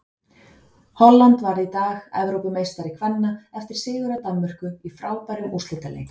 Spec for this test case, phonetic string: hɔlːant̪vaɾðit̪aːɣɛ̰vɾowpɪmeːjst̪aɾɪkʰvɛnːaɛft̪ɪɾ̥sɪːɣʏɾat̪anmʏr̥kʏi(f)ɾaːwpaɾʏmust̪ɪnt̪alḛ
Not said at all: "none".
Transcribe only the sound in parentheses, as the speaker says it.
f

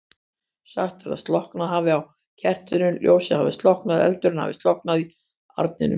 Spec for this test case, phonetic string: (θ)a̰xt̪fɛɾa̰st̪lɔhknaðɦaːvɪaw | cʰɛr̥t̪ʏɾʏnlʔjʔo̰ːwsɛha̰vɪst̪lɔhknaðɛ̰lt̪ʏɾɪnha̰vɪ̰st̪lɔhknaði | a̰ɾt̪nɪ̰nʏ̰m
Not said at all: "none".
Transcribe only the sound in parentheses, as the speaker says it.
s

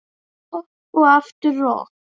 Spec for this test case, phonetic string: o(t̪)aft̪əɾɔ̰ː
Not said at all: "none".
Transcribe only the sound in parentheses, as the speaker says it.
none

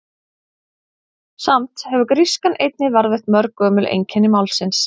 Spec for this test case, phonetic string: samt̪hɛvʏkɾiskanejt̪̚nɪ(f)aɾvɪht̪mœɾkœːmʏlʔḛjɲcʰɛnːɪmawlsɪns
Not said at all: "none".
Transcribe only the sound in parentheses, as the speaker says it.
v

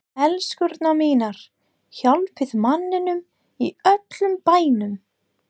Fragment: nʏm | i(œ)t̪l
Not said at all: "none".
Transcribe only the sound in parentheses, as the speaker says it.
œ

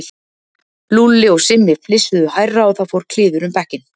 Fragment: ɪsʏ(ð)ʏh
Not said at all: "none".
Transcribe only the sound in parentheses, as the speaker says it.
ð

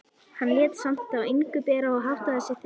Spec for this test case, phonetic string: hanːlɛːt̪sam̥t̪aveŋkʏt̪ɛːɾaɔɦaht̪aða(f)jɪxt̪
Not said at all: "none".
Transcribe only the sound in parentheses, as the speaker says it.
s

